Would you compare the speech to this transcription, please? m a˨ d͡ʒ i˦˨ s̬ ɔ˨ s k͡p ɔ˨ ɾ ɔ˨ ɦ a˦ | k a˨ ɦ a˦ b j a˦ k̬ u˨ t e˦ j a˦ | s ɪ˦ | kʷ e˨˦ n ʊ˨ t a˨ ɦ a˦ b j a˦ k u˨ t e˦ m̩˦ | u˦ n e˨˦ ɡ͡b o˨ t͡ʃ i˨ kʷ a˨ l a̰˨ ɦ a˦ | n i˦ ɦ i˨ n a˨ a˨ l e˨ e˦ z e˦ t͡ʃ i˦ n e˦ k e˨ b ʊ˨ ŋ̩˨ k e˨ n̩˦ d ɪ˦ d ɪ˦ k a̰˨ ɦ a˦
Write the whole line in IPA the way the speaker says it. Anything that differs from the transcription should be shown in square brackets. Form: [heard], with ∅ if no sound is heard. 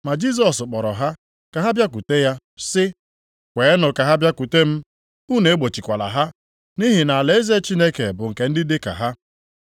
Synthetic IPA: m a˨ d͡ʒ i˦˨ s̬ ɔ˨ s k͡p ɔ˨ ɾ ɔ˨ ɦ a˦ | k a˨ ɦ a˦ b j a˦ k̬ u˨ t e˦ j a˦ | s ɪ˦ | kʷ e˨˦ n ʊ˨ [k] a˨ ɦ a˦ b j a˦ k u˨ t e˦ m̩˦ | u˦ n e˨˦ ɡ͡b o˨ t͡ʃ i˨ kʷ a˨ l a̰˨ ɦ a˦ | n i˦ ɦ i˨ n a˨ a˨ l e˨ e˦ z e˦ t͡ʃ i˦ n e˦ k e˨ b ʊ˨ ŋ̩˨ k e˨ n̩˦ d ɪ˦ d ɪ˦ k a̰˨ ɦ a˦